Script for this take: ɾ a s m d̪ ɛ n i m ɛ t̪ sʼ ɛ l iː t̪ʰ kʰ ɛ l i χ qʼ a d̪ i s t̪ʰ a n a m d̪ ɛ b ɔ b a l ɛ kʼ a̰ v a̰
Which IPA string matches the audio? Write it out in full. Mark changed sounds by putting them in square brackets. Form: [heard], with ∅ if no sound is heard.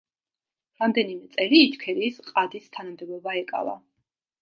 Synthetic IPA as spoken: ɾ a [∅] m d̪ ɛ n i m ɛ t̪ sʼ ɛ l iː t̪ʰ kʰ ɛ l i [s] qʼ a d̪ i s t̪ʰ a n a m d̪ ɛ b ɔ b a [∅] ɛ kʼ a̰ v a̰